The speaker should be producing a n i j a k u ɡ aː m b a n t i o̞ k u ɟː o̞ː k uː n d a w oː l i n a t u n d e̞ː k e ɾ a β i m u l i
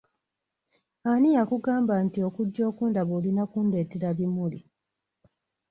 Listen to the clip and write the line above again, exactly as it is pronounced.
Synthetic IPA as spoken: a n i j a k u ɡ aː m b a n t i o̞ k u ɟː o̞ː k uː n d a β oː l i n a k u n d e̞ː t e ɾ a β i m u l i